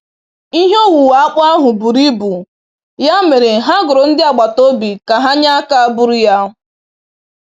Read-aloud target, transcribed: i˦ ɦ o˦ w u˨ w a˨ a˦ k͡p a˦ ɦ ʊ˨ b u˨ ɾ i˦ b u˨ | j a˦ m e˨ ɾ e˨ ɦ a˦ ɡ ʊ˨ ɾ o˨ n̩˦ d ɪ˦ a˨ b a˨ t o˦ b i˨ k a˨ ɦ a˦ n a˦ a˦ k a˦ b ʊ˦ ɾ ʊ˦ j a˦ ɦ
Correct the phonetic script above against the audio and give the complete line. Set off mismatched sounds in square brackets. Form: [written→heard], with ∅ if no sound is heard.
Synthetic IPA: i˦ ɦ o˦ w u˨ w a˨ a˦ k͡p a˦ ɦ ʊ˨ b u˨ ɾ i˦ b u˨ | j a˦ m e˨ ɾ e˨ ɦ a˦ ɡ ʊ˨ ɾ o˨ n̩˦ d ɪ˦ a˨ [b→ɡ͡b] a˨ t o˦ b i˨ k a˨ ɦ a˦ [n→ɲ] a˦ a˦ k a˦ b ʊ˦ ɾ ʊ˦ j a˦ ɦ